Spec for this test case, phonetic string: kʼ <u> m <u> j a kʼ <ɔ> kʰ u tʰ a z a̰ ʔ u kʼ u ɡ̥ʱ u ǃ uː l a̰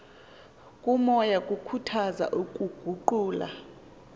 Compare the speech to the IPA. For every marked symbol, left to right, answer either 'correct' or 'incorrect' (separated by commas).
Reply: correct, incorrect, incorrect